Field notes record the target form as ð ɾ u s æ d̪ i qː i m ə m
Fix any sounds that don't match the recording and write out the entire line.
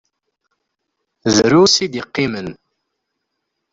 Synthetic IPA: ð ɾ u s i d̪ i qː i m ə n